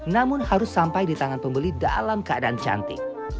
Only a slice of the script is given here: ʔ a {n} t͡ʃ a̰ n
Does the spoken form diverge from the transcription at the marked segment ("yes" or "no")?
no